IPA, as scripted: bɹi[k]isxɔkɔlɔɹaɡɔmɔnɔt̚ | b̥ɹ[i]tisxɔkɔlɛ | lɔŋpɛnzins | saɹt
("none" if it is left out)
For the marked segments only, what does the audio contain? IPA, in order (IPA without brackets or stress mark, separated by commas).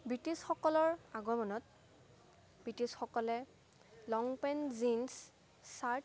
t, i